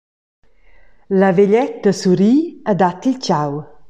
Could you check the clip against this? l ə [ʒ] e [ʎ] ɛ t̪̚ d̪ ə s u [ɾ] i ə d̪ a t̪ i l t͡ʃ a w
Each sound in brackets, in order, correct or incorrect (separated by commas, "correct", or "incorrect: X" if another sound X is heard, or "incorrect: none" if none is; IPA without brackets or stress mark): incorrect: v, correct, correct